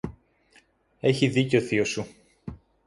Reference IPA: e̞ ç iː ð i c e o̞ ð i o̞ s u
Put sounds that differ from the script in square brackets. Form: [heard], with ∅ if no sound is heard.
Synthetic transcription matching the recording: e̞ ç [i] ð i c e o̞ [θ] i o̞ s u